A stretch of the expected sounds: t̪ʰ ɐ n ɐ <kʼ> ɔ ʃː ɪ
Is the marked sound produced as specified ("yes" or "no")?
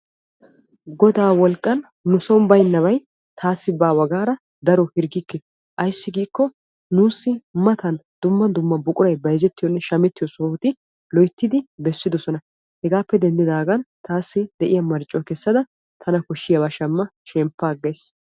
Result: no